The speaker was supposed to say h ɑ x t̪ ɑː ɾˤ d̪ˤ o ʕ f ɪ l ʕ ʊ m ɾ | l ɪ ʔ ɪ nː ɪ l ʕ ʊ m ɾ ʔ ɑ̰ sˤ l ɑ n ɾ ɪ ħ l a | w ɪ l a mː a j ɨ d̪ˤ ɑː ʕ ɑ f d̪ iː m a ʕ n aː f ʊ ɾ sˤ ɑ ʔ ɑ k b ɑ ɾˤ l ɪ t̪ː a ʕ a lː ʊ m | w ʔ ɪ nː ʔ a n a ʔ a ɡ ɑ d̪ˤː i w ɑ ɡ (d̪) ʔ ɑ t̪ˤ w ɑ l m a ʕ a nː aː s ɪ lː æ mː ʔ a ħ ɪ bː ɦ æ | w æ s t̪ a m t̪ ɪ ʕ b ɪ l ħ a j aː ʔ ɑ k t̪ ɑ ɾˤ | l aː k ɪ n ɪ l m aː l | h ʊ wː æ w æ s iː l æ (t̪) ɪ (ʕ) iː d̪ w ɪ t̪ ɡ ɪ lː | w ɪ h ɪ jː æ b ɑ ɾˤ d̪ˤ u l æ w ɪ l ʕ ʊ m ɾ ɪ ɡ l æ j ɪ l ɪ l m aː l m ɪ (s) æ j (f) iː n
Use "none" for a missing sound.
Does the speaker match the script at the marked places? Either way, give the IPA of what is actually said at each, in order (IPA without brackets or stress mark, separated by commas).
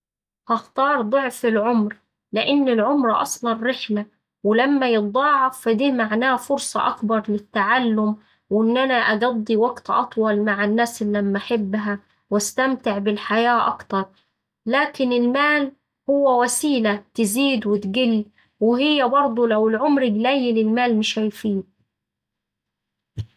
t̪, t̪, z, ʃ, f